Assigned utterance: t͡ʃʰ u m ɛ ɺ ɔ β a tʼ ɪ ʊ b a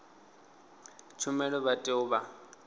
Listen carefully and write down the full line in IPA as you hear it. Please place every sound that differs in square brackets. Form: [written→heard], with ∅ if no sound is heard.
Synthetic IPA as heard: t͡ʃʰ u m ɛ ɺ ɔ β a tʼ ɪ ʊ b a